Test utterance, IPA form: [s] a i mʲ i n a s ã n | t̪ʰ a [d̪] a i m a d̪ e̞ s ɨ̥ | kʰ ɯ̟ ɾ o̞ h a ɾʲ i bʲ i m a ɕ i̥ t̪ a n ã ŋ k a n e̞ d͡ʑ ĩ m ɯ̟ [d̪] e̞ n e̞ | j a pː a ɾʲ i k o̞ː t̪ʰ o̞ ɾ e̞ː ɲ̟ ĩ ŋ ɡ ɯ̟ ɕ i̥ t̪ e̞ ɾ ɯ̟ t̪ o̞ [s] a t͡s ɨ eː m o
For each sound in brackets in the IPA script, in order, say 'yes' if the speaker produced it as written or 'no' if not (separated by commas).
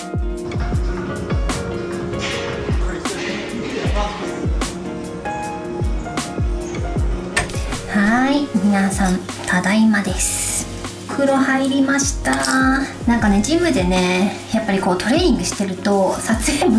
no, yes, yes, yes